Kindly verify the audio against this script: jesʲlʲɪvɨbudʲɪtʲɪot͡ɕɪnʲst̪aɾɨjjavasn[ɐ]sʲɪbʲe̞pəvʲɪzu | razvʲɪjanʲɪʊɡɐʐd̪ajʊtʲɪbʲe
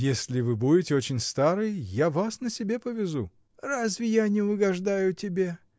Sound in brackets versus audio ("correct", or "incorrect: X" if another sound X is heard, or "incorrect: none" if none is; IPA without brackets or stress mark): incorrect: ə